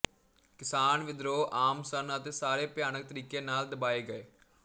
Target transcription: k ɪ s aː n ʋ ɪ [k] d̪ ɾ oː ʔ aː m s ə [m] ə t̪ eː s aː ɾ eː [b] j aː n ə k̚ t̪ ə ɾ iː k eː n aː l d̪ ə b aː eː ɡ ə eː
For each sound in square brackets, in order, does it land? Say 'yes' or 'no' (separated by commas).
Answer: no, no, no